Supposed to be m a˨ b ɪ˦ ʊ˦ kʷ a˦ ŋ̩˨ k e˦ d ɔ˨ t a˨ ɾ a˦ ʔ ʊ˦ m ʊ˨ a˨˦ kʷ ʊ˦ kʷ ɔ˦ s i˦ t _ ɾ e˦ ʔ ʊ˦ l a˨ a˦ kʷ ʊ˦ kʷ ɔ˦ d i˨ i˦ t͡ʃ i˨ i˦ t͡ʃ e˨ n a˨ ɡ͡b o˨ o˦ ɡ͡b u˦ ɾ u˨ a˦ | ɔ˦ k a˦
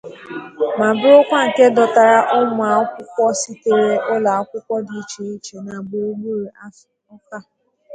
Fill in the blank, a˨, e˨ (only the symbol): e˨